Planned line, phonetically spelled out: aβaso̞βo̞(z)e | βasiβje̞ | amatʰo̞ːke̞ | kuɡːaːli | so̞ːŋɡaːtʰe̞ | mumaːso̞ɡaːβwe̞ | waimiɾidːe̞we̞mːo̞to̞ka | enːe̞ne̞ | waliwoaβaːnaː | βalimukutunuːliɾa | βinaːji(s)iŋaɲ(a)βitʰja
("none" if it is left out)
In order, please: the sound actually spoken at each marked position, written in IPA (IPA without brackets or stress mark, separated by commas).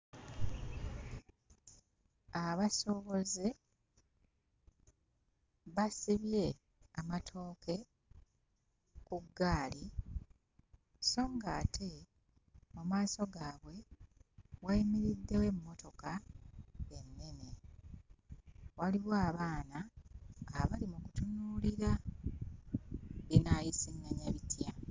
z, s, a